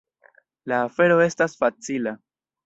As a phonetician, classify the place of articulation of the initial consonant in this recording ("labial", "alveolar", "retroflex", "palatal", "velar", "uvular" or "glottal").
alveolar